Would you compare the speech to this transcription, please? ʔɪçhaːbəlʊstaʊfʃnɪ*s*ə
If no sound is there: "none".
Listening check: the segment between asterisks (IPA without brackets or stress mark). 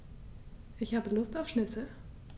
t͡s